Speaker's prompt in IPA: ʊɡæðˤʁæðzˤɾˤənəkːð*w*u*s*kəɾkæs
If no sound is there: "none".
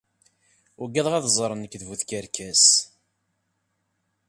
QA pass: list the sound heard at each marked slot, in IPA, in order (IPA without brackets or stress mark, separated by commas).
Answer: v, θ